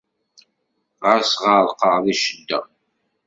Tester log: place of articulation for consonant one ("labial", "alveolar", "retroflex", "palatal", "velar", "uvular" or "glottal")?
uvular